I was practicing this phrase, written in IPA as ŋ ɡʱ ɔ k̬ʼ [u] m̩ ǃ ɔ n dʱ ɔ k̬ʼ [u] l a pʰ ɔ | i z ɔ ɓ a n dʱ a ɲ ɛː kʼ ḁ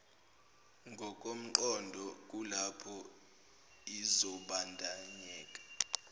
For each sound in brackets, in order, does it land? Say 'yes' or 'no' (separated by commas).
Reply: no, yes